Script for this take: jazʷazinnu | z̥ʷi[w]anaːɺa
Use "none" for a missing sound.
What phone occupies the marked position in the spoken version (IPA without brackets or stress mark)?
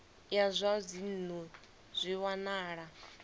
w